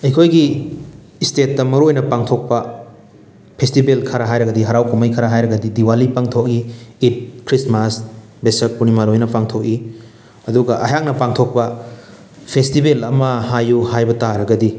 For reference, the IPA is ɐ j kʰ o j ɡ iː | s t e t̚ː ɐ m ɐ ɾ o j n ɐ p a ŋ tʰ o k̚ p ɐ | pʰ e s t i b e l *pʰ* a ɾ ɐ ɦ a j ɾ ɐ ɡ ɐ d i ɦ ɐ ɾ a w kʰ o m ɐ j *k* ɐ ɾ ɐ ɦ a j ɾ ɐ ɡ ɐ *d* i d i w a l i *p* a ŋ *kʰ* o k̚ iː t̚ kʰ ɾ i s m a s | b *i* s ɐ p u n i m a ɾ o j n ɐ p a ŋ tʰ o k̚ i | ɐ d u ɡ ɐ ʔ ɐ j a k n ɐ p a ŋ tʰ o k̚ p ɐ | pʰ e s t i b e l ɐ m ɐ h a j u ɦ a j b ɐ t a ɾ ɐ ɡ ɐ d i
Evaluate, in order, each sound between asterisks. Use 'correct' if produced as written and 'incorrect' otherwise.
incorrect: kʰ, incorrect: kʰ, correct, correct, incorrect: tʰ, incorrect: e

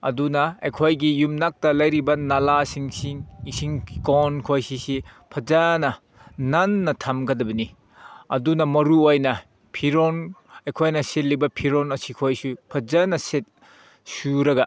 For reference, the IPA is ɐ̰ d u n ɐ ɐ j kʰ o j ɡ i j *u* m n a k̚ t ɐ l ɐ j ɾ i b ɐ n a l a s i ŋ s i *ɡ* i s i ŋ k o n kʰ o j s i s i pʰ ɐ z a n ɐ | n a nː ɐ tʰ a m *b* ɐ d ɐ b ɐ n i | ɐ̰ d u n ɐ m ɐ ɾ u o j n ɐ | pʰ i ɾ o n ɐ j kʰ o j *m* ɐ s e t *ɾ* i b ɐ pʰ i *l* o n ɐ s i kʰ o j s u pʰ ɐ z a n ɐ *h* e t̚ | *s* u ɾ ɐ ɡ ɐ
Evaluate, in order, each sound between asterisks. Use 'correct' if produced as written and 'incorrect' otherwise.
correct, incorrect: ŋ, incorrect: ɡ, incorrect: n, incorrect: l, incorrect: ɾ, incorrect: s, correct

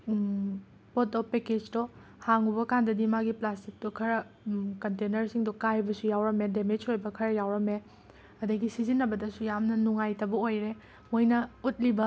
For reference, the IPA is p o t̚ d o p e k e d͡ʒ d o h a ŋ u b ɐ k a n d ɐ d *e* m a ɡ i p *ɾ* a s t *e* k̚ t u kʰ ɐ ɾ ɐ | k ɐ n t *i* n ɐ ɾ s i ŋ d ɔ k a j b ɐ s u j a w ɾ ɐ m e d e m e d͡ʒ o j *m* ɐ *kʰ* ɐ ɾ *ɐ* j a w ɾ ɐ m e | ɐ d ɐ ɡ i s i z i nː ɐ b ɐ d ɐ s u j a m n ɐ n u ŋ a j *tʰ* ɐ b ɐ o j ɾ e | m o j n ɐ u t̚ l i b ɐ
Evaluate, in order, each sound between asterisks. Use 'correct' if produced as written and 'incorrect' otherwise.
incorrect: i, incorrect: l, incorrect: i, incorrect: e, incorrect: b, correct, correct, incorrect: t

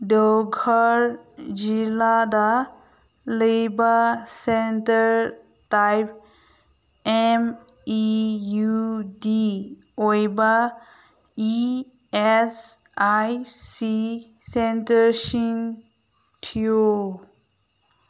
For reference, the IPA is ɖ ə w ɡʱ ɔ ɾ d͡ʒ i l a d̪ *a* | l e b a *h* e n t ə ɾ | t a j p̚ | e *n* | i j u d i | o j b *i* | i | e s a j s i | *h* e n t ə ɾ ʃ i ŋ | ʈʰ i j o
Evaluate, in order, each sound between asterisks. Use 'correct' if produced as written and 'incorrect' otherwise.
correct, incorrect: s, incorrect: m, incorrect: a, incorrect: s

